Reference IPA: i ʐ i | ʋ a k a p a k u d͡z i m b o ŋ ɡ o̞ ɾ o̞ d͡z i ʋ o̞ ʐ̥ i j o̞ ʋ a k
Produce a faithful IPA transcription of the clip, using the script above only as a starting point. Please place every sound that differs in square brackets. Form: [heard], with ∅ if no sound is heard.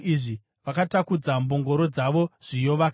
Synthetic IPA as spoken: i ʐ i | ʋ a k a [t] a k u d͡z [a] m b o ŋ ɡ o̞ ɾ o̞ d͡z [a] ʋ o̞ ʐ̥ i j o̞ ʋ a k

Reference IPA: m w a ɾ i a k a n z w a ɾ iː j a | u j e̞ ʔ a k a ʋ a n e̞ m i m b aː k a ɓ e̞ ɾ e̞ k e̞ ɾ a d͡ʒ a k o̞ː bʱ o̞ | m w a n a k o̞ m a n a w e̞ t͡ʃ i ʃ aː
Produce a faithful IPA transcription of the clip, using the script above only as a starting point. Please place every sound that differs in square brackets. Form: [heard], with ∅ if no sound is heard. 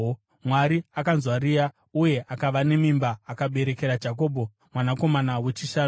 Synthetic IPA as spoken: m w a ɾ i a k a n z w a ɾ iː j a | u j e̞ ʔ a k a ʋ a n e̞ m i m b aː k a ɓ e̞ ɾ e̞ k e̞ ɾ a d͡ʒ a k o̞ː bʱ o̞ | m w a n a k o̞ m a n a w e̞ t͡ʃ i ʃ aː

